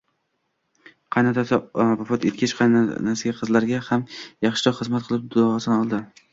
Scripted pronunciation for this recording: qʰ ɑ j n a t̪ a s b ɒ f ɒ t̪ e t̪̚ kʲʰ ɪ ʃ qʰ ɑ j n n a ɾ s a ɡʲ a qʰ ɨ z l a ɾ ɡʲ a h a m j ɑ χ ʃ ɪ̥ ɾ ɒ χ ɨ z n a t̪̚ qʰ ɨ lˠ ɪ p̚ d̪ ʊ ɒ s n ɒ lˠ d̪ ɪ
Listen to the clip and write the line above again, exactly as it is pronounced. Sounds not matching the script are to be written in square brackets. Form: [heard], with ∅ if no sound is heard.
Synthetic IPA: qʰ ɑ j n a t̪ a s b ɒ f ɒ t̪ e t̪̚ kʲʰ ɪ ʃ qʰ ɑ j n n a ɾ s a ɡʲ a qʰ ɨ z l a ɾ ɡʲ a h a m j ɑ χ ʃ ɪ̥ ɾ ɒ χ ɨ z [m] a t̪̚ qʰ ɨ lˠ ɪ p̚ d̪ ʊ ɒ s n ɒ lˠ d̪ ɪ